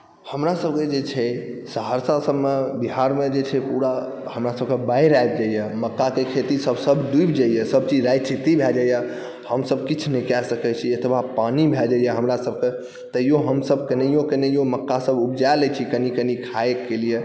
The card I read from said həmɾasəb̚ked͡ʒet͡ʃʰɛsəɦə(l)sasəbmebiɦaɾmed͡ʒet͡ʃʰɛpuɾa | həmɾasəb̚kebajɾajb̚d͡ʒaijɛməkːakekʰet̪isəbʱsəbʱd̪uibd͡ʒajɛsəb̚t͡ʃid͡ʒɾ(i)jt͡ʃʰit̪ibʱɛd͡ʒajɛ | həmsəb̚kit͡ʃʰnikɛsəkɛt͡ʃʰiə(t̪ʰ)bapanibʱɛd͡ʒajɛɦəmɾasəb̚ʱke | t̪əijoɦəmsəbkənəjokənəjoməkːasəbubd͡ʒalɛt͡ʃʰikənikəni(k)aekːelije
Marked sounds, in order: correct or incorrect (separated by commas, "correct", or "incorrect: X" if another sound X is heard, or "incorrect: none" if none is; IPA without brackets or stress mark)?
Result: incorrect: ɾ, incorrect: a, correct, incorrect: kʰ